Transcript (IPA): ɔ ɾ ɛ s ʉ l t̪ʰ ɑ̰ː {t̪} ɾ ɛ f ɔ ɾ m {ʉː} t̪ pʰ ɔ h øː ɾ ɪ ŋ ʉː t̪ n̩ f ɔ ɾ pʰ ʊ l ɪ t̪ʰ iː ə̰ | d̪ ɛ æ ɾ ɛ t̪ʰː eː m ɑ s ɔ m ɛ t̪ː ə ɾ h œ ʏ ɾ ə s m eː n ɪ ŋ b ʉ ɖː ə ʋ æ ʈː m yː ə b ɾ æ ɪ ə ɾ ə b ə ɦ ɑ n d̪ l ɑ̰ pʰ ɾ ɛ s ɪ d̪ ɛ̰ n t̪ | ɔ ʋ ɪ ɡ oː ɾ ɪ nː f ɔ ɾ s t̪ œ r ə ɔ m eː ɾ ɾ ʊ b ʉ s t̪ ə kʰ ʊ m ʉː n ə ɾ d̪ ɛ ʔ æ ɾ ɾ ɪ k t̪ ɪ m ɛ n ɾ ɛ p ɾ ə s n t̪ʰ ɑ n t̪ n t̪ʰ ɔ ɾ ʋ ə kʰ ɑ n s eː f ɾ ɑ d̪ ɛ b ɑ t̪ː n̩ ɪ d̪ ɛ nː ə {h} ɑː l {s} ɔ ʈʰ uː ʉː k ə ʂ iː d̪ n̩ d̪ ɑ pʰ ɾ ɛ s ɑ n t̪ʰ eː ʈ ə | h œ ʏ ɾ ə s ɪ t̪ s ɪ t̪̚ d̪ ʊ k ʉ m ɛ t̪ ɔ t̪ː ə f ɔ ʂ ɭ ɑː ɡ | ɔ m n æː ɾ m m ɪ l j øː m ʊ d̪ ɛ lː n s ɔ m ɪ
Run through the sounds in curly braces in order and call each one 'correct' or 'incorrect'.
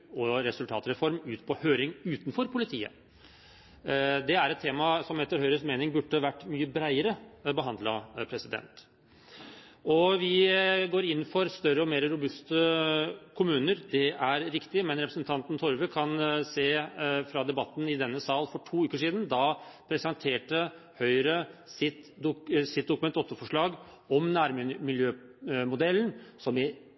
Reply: correct, correct, incorrect: s, incorrect: f

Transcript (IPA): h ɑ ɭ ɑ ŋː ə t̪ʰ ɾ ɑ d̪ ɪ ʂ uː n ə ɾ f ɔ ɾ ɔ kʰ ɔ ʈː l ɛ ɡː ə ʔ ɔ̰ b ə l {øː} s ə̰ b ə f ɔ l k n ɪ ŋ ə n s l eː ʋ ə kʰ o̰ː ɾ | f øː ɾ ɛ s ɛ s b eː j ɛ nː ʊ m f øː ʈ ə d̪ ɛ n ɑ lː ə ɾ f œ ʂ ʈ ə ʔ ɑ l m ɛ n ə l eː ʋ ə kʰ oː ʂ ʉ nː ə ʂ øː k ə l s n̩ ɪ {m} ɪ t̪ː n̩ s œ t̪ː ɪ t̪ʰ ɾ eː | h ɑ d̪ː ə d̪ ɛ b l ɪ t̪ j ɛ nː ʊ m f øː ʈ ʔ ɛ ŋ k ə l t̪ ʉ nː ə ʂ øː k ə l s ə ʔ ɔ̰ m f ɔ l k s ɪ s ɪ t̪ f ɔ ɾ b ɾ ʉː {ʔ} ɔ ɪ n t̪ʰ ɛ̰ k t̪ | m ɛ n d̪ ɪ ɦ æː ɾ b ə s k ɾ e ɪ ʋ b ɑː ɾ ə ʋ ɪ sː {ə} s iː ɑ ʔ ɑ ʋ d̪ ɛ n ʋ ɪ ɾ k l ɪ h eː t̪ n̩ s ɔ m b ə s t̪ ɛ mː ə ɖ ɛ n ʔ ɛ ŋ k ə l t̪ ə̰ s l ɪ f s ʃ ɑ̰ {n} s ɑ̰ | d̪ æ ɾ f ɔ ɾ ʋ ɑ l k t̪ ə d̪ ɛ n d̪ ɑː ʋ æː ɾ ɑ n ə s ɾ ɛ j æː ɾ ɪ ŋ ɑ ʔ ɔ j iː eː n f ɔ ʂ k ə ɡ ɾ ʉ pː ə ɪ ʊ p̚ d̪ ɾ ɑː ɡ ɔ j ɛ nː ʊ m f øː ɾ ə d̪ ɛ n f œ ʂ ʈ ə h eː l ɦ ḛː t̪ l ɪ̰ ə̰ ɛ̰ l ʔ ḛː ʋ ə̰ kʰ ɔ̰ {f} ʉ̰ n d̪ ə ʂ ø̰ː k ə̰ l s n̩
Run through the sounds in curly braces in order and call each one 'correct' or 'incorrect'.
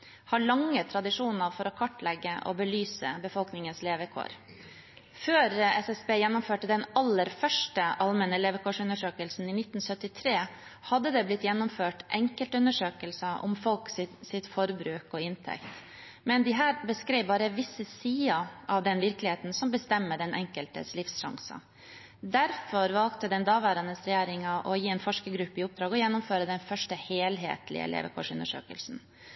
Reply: incorrect: yː, incorrect: n, incorrect: k, correct, incorrect: ŋ, incorrect: ʂ

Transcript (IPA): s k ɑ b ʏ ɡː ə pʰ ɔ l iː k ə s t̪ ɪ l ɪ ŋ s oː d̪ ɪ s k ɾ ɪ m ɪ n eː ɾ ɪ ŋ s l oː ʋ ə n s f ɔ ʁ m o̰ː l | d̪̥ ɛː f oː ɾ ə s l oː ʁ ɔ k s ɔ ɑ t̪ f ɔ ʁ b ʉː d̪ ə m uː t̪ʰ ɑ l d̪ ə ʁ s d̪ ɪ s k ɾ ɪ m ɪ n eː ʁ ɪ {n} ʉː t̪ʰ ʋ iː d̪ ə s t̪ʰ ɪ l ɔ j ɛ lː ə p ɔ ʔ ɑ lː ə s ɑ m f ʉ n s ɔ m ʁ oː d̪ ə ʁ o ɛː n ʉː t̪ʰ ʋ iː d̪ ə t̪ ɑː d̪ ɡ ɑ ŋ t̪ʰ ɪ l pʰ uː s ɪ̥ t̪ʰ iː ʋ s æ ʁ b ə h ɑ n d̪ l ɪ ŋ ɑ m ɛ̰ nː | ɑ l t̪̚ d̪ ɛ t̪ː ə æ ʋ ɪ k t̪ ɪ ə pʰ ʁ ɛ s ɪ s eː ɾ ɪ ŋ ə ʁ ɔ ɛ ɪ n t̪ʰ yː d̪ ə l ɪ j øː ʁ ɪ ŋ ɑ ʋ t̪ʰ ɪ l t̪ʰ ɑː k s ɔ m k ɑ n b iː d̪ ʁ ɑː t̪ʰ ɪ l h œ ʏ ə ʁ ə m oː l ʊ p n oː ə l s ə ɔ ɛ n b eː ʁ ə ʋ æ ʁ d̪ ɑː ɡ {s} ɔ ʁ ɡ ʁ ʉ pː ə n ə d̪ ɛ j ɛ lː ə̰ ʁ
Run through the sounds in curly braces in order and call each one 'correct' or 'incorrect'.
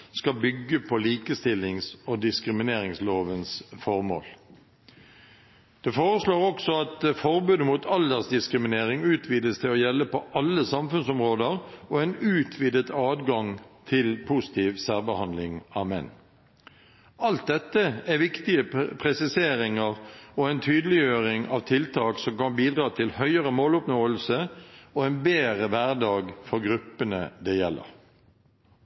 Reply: incorrect: ŋ, incorrect: f

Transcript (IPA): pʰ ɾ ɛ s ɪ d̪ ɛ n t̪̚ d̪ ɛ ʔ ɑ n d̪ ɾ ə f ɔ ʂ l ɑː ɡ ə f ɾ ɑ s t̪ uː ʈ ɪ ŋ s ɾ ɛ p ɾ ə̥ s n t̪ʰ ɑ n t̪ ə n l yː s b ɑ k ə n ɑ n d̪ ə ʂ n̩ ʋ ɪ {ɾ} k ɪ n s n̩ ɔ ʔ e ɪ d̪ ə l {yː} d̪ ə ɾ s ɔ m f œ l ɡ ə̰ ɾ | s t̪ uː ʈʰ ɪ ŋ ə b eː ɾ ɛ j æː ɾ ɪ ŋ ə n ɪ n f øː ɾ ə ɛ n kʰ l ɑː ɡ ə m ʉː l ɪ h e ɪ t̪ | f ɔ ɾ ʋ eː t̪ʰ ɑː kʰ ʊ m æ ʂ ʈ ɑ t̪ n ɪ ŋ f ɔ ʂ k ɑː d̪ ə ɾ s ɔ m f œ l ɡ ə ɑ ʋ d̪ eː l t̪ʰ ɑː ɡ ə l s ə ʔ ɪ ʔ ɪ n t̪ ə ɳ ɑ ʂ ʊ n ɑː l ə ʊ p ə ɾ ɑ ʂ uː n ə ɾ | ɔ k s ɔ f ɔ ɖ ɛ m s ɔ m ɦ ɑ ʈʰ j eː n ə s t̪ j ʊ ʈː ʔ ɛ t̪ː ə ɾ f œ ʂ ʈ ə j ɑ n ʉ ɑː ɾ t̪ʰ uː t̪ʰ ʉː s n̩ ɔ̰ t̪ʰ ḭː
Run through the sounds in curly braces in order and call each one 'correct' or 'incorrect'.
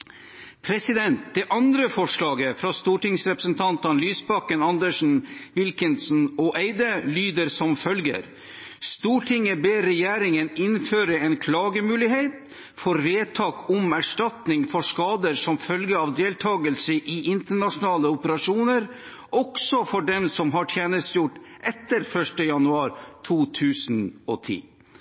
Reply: incorrect: l, correct

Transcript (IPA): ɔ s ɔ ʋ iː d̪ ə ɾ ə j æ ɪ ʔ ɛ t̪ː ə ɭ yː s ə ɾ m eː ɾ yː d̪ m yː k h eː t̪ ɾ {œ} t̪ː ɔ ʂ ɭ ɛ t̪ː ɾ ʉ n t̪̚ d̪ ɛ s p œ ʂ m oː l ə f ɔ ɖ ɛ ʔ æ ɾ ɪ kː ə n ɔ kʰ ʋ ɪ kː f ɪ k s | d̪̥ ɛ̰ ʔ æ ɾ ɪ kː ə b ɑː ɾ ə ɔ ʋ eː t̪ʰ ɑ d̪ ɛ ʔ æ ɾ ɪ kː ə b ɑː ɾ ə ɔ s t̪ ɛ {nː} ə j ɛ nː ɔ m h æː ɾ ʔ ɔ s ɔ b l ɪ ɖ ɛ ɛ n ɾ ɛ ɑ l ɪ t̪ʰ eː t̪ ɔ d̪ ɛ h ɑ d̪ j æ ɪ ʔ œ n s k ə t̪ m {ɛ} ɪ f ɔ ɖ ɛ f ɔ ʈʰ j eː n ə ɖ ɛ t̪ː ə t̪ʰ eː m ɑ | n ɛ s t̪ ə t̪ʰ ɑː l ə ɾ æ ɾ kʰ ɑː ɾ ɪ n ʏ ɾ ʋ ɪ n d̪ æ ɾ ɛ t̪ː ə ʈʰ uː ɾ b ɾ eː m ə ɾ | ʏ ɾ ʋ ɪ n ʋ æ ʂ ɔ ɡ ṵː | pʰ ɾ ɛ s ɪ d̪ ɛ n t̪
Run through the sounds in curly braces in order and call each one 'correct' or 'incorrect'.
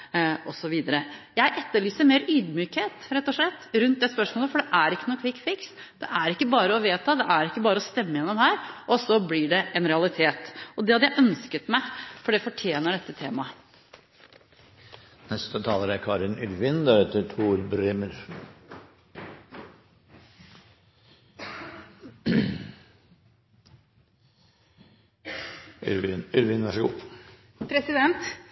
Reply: incorrect: ɛ, incorrect: mː, incorrect: æ

